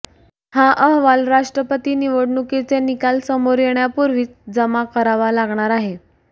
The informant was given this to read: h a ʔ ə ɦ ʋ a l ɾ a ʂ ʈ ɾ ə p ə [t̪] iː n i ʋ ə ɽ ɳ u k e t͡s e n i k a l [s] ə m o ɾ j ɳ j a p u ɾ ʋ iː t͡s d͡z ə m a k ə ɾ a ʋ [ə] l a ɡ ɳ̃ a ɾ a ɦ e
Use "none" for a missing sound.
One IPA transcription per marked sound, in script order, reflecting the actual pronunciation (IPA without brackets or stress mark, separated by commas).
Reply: t̪, s, a